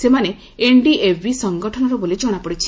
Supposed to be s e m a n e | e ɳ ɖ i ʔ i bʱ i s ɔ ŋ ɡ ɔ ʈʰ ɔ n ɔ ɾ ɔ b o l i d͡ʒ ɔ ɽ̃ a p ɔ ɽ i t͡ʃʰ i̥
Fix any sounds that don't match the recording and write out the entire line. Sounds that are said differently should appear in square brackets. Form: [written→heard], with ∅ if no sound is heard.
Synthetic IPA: s e m a n e | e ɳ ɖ i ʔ [i→e] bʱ i s ɔ ŋ ɡ ɔ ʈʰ ɔ n ɔ ɾ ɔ b o l i d͡ʒ ɔ ɽ̃ a p ɔ ɽ i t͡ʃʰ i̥